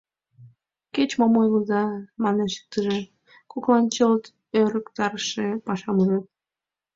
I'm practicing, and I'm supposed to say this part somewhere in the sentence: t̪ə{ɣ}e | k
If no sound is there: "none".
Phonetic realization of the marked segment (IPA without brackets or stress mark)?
ʒ